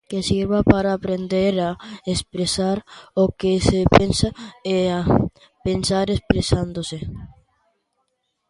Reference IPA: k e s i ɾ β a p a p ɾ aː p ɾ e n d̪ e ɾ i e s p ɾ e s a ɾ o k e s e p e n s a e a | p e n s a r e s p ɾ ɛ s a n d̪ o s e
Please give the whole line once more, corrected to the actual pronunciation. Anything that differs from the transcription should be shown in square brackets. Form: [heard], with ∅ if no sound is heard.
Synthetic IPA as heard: k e s i ɾ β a p a [∅] ɾ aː p ɾ e n d̪ e ɾ [a] e s p ɾ e s a ɾ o k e s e p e n s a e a | p e n s a [ɾ] e s p ɾ [e] s a n d̪ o s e